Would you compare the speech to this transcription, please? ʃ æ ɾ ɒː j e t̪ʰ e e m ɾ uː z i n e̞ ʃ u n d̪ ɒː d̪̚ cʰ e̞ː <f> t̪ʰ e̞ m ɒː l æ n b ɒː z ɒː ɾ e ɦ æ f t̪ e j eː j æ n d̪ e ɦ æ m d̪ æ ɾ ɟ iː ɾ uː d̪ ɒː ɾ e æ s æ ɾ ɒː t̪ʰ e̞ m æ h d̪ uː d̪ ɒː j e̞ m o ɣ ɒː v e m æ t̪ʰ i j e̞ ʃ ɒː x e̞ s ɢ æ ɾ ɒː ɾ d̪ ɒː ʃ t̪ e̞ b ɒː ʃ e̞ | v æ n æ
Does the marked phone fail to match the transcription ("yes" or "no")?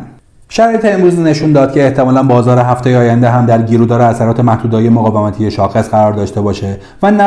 yes